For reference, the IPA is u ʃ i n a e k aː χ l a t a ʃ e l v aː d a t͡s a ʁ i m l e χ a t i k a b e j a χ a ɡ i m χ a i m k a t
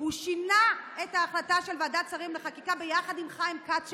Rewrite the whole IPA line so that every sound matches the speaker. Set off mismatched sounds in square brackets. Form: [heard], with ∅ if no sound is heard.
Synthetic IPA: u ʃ i n a e [t] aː χ l a t a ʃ e l v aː d a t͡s a ʁ i m l e χ a [k] i k a b e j a χ a [d] i m χ a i m k a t

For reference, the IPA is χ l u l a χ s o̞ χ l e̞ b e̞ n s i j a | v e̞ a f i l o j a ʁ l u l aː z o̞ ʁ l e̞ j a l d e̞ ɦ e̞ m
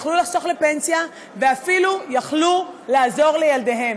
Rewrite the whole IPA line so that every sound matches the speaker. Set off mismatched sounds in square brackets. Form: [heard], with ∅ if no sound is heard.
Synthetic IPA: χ l u l a χ s o̞ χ l e̞ [p] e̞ n s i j a | v e̞ a f i l [u] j a [χ] l u l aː z o̞ ʁ l e̞ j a l d e̞ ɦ e̞ m

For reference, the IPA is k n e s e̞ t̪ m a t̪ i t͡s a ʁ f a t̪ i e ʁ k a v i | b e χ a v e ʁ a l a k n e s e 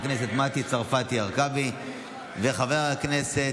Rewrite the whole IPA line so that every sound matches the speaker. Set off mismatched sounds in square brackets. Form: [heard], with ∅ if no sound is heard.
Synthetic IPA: k n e s e̞ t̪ m a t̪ i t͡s a ʁ f a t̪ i [a] ʁ k a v i | [v] e χ a v e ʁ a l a k n e s e

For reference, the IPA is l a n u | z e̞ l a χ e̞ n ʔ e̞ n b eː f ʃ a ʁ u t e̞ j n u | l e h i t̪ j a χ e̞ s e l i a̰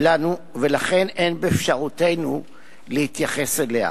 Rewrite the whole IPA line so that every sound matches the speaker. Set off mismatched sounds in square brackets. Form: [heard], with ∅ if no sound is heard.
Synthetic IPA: l a n u | [v] e̞ l a χ e̞ n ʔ e̞ n b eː f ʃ a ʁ u t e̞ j n u | l e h i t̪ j a χ e̞ s e l [e] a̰

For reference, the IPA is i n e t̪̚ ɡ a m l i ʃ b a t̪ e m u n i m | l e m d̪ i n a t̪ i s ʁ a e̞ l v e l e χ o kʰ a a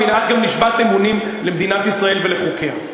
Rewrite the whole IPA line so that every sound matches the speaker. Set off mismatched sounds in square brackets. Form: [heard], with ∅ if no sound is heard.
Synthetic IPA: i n [a] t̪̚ ɡ a m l i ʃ b a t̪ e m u n i m | l e m d̪ i n a t̪ i s ʁ a e̞ l v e l e χ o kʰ [e] a

